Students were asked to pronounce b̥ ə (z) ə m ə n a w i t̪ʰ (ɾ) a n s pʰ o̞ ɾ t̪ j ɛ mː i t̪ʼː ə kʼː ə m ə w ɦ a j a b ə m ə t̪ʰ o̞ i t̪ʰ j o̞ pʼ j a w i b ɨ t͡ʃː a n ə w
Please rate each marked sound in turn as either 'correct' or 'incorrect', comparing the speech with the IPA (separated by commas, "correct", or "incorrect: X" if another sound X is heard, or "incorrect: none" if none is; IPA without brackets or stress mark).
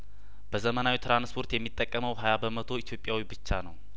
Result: correct, correct